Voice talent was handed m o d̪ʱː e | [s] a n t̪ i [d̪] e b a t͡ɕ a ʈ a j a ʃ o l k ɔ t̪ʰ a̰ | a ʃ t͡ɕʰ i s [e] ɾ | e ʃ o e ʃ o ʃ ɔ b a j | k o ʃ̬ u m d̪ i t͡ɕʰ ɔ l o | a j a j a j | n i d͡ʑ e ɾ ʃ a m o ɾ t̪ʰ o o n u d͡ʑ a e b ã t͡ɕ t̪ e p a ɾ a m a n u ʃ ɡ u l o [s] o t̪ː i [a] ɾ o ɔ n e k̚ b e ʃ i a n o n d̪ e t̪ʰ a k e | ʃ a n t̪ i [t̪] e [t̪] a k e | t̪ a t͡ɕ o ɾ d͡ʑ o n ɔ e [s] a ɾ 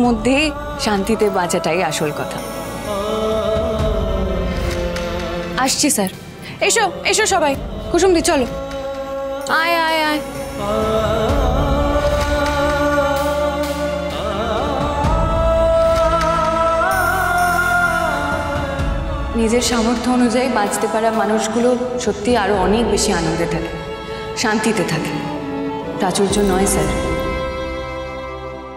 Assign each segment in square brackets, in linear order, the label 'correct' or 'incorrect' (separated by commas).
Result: incorrect, incorrect, incorrect, incorrect, correct, correct, incorrect, correct